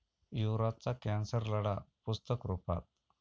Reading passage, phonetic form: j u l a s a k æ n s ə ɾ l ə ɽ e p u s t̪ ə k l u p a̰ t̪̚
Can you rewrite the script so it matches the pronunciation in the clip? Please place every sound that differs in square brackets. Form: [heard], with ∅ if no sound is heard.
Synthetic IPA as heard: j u [ɾ] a [t͡s] a k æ n s ə ɾ l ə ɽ [a] p u s t̪ ə k [ɾ] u p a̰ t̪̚